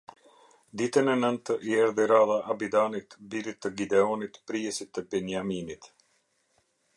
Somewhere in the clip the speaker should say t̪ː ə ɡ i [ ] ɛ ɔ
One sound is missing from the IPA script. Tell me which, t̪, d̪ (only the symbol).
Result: d̪